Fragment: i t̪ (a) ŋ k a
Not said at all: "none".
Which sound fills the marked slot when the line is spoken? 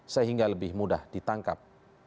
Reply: a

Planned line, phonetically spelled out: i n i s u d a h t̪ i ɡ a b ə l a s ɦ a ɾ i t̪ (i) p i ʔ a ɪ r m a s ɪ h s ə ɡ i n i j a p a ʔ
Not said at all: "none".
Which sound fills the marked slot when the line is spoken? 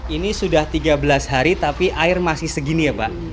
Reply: a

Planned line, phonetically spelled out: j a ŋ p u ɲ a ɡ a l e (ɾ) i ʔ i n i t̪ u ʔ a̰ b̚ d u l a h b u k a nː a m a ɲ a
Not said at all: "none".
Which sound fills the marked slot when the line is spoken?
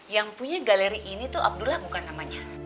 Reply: ɾ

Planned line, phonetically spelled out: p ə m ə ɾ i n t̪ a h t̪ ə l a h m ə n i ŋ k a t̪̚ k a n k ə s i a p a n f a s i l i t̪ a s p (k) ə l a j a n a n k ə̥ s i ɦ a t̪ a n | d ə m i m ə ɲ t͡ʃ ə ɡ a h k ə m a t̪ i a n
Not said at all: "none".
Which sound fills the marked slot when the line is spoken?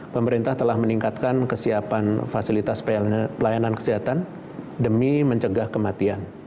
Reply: p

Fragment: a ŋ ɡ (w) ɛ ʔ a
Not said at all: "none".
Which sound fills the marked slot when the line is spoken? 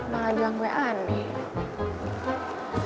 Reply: w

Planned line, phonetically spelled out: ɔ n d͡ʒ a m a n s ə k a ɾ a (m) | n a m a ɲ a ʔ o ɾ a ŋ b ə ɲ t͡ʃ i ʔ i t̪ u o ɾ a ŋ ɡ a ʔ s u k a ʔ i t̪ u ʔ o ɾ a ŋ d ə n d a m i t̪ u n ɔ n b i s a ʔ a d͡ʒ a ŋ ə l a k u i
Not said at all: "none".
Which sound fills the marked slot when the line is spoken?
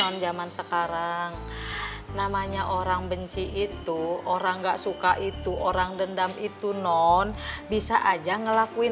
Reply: ŋ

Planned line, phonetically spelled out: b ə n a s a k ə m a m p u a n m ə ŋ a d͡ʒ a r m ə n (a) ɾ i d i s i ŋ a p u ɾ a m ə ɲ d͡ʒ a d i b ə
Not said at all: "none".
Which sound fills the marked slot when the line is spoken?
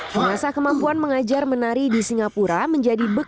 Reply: a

